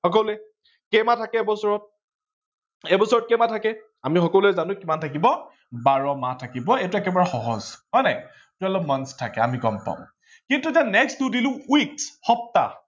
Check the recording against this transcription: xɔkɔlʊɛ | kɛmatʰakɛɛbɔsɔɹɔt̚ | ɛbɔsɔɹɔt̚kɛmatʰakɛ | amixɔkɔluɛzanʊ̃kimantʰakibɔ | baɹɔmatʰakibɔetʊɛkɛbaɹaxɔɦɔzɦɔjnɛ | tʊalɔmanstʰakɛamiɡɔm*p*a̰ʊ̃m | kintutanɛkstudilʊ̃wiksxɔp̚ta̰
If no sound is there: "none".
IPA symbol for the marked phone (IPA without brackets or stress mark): p